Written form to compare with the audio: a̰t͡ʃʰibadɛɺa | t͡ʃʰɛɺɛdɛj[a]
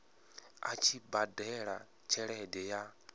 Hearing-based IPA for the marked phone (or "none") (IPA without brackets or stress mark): a